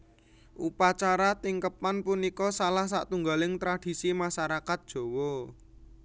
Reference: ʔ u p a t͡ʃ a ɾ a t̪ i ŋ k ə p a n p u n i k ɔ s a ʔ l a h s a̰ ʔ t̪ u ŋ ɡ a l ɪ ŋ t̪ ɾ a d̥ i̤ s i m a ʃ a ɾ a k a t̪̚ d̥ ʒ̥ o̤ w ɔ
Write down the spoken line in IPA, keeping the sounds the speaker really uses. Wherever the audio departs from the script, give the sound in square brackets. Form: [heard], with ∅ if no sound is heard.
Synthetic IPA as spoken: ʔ u p a t͡ʃ a ɾ a t̪ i ŋ k ə p a n p u n i k ɔ s a [∅] l a h s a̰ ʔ t̪ u ŋ ɡ a l ɪ ŋ t̪ ɾ a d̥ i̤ s i m a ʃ a ɾ a k a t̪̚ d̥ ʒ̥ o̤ w ɔ